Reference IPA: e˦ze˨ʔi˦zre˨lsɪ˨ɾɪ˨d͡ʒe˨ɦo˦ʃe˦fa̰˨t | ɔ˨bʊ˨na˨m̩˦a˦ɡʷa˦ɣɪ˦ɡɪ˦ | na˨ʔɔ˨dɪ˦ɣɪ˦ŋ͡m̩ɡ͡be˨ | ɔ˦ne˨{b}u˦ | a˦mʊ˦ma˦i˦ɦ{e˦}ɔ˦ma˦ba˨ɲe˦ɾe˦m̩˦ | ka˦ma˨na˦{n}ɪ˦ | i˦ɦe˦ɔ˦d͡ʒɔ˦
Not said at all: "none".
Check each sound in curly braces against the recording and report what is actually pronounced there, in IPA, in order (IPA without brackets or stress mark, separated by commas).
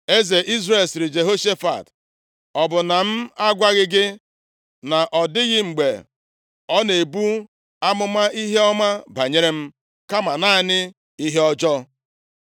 b, e˦, n